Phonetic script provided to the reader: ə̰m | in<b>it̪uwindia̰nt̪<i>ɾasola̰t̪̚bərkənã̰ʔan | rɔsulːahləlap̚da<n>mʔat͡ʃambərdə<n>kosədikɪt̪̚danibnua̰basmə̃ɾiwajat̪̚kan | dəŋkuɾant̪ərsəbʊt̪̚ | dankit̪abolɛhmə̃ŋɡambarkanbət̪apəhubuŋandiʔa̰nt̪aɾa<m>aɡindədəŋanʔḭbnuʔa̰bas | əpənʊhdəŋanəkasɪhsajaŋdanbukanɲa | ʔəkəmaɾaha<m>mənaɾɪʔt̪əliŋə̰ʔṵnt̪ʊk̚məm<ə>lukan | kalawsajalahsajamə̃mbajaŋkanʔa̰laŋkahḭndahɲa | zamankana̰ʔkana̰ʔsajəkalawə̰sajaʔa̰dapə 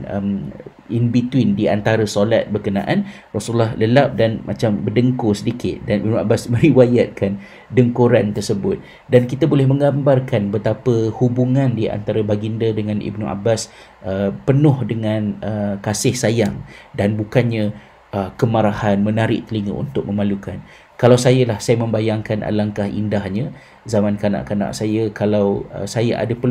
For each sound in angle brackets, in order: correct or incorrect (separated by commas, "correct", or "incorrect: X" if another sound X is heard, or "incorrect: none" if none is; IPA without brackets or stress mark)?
correct, incorrect: a, correct, incorrect: ŋ, incorrect: b, incorrect: n, incorrect: a